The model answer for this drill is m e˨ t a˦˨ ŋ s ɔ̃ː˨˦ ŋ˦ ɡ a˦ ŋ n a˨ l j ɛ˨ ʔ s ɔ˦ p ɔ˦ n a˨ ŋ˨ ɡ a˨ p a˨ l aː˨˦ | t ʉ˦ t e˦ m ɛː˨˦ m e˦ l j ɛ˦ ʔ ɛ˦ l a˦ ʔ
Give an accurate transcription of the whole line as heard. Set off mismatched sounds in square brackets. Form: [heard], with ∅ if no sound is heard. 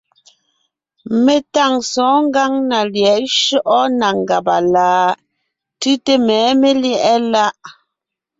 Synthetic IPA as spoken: m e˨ t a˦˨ ŋ s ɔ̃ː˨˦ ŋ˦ ɡ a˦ ŋ n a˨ l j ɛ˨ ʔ [ʃ] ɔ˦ [ʔ] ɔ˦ n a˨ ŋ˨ ɡ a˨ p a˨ l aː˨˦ | t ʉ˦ t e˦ m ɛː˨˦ m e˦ l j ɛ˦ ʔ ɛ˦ l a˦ ʔ